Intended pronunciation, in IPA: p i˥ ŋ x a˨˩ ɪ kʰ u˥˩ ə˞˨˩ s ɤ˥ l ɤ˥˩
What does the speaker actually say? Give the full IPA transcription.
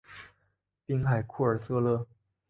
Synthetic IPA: p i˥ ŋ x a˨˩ ɪ kʰ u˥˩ ə˞˨˩ s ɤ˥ l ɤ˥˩